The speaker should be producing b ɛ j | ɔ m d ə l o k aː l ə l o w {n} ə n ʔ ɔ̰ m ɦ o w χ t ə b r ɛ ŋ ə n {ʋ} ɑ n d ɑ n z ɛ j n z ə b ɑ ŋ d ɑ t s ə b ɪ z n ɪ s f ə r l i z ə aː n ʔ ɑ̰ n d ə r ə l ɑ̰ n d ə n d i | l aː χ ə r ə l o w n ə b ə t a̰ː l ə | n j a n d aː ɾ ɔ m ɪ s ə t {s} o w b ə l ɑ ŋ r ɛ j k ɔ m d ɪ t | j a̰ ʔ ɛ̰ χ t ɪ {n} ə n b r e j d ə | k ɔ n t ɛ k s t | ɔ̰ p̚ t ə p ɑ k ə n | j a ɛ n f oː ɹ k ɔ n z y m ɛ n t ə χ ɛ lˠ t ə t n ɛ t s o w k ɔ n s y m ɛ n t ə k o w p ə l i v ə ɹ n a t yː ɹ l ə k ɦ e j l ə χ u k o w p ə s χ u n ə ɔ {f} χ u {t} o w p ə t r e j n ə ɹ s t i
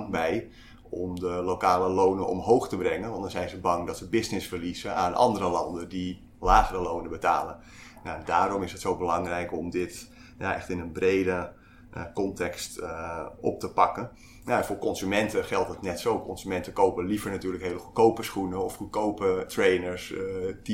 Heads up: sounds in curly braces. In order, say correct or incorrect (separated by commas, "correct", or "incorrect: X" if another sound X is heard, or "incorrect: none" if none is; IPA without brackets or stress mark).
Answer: correct, correct, correct, correct, correct, incorrect: k